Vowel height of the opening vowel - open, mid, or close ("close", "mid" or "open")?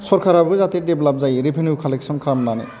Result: mid